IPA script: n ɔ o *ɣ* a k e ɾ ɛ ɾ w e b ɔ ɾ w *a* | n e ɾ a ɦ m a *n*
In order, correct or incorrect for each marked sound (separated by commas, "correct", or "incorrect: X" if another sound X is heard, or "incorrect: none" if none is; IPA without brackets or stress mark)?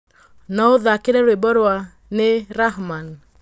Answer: incorrect: ð, correct, correct